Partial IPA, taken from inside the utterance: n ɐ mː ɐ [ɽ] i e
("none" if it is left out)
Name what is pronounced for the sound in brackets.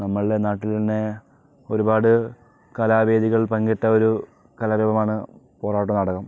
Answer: ɭ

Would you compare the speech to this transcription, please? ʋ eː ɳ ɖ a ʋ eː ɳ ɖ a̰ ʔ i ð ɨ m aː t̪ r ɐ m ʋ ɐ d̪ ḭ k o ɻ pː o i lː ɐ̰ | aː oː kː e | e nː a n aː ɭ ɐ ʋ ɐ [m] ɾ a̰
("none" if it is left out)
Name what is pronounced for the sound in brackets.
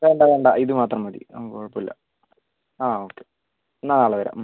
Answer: none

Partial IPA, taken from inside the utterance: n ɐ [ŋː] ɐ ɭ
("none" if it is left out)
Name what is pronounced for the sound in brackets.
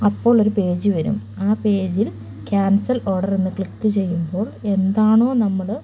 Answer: mː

